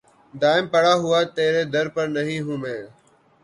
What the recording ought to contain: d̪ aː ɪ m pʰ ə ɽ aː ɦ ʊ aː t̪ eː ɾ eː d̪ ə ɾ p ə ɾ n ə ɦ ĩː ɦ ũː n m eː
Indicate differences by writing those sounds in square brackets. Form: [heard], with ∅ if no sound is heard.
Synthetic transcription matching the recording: d̪ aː ɪ m [p] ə ɽ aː ɦ ʊ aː t̪ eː ɾ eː d̪ ə ɾ p ə ɾ n ə ɦ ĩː ɦ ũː [∅] m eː